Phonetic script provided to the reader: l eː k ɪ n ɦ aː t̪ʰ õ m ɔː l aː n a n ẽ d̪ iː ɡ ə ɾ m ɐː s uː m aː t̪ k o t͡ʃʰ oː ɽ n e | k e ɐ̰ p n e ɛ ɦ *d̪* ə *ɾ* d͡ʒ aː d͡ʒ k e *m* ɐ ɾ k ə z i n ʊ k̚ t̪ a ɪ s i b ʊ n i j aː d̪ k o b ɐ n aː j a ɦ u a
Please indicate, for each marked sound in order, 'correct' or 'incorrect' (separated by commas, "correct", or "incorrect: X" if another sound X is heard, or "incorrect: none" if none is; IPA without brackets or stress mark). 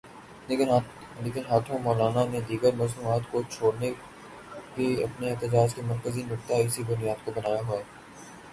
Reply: incorrect: t̪, incorrect: none, correct